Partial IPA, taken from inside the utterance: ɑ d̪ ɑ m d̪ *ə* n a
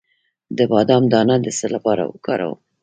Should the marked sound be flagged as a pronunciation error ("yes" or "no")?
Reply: yes